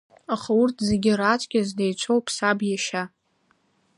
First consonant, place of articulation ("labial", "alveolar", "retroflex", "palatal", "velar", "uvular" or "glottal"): uvular